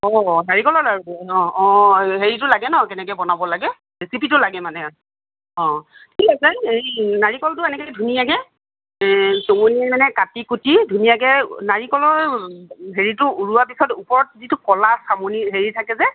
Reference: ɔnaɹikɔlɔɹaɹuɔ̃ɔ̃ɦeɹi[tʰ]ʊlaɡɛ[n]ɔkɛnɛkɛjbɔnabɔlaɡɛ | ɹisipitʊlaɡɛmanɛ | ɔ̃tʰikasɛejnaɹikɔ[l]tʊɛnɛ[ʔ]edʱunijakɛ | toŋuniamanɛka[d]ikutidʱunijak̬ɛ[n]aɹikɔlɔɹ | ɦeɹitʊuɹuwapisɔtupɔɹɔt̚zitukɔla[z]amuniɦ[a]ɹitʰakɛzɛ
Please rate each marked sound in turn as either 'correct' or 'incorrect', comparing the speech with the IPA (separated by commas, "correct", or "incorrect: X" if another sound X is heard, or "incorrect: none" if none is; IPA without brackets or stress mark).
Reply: incorrect: t, correct, correct, incorrect: k, incorrect: t, correct, incorrect: s, incorrect: e